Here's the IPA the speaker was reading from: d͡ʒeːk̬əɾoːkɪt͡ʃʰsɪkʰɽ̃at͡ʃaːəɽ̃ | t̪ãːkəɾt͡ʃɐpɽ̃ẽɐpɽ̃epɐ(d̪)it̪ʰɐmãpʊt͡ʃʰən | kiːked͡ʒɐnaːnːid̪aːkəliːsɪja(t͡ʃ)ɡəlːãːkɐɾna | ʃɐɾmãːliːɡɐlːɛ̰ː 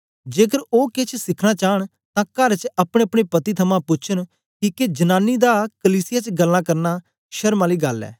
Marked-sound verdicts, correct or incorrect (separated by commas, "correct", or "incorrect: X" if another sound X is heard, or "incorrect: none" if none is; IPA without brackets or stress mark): incorrect: t̪, correct